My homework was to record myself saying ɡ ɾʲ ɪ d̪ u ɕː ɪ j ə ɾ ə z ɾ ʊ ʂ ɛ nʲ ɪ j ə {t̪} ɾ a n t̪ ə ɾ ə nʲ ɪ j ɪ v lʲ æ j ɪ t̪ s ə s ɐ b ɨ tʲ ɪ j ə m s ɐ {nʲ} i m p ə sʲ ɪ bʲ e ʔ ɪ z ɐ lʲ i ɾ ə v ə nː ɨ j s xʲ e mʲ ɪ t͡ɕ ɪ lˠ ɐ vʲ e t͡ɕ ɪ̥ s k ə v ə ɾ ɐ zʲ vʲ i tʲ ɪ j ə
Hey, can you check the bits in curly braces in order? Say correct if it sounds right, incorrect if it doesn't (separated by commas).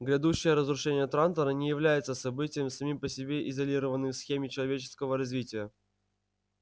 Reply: correct, incorrect